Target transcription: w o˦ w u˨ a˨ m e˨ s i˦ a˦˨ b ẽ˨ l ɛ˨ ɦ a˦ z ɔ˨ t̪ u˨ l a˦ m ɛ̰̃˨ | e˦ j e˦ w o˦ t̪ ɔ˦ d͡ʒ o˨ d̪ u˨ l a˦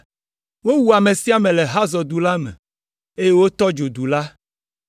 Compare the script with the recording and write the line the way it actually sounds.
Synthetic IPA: w o˦ w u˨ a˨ m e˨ s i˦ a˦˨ m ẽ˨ l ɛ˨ ɦ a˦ z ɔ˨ d̪ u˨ l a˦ m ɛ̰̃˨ | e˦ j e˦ w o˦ t̪ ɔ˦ d͡ʒ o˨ d̪ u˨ l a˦